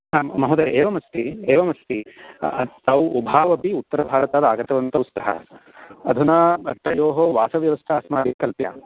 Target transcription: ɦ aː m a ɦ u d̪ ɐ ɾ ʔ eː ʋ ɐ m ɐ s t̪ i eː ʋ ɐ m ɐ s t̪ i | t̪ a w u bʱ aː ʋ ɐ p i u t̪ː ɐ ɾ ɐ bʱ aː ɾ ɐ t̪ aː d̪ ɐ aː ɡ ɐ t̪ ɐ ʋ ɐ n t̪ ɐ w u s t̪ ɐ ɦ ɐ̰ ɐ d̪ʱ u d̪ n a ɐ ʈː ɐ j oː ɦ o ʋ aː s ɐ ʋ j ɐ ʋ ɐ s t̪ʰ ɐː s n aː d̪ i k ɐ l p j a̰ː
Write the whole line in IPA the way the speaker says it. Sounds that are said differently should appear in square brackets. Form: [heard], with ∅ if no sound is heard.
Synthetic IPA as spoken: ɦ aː m [ɐ] ɦ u d̪ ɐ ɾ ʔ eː ʋ ɐ m ɐ s t̪ i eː ʋ ɐ m ɐ s t̪ i | t̪ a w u bʱ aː ʋ ɐ p i u t̪ː ɐ ɾ ɐ bʱ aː ɾ ɐ t̪ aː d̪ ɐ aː ɡ ɐ t̪ ɐ ʋ ɐ n t̪ ɐ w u s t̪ ɐ ɦ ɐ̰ ɐ d̪ʱ u [∅] n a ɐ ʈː ɐ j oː ɦ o ʋ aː s ɐ ʋ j ɐ ʋ ɐ s t̪ʰ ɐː s [m] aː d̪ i k ɐ l p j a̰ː